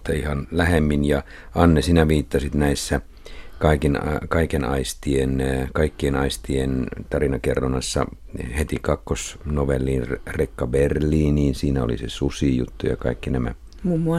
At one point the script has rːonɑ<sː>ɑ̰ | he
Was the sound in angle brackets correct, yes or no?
yes